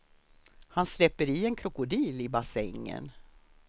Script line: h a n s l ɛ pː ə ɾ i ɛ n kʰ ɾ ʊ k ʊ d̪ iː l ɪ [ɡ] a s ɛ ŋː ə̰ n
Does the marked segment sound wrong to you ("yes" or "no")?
yes